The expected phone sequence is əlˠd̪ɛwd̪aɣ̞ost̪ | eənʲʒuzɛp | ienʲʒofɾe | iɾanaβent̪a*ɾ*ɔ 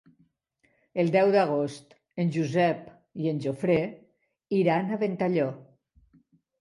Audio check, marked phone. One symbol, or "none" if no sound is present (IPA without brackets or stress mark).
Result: ʎ